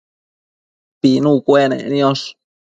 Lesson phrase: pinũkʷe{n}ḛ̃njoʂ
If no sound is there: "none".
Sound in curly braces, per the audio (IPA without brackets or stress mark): n